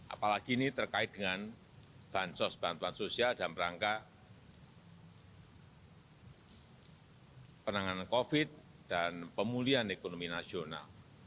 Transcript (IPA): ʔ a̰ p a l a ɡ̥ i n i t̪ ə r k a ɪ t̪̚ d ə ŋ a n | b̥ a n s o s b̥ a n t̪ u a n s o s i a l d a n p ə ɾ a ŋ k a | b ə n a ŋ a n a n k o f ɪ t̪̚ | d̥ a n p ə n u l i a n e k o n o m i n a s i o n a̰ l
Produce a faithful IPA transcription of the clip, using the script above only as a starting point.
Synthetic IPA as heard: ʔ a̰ p a l a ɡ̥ i n i t̪ ə r k a ɪ t̪̚ d ə ŋ a n | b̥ a n s ɔ s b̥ a n t̪ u a n s o s i a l d a n p ə ɾ a ŋ k a | p ə n a ŋ a n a n k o f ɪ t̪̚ | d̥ a n p ə m u l i a n e k o n o m i n a s i o n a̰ l